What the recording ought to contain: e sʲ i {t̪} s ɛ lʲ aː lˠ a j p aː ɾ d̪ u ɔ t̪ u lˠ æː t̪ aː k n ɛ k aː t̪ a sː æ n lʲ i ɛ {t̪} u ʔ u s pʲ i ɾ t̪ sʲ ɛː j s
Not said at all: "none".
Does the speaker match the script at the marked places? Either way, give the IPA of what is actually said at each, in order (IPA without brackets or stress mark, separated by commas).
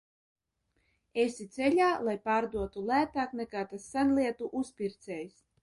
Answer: t̪, t̪